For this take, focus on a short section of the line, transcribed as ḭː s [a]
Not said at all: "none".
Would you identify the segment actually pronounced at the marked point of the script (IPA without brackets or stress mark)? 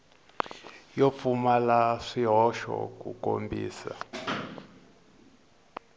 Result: a